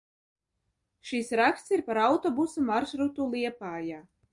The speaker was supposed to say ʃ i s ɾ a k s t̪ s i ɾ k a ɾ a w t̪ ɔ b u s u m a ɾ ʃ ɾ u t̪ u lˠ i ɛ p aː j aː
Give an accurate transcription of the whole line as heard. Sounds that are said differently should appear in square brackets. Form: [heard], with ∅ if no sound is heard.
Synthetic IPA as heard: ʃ i s ɾ a k s t̪ s i ɾ [p] a ɾ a w t̪ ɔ b u s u m a ɾ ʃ ɾ u t̪ u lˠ i ɛ p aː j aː